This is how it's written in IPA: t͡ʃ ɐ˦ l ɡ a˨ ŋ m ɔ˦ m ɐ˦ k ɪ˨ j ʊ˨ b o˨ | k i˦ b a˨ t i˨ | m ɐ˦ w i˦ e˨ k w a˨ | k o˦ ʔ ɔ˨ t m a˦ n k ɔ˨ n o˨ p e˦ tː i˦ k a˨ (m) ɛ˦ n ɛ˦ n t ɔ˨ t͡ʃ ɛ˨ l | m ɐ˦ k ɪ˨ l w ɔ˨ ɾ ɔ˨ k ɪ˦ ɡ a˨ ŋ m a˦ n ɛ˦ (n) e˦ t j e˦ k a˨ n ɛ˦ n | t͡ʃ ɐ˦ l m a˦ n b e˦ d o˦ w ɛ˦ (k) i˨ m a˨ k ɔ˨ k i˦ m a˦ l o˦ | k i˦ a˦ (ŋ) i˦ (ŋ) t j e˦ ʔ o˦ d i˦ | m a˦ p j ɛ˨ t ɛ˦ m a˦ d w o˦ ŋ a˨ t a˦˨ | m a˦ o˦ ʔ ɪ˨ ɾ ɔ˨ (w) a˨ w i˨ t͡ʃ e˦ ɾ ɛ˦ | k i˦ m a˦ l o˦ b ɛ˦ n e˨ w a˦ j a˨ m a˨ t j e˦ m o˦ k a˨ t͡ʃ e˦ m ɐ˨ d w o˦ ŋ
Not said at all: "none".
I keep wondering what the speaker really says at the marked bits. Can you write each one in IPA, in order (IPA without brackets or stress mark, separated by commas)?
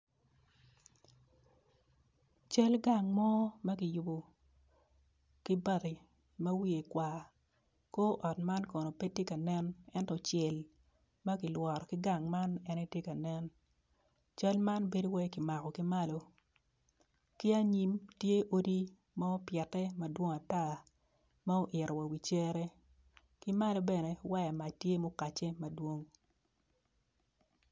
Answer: n, n, k, ɲ, m, w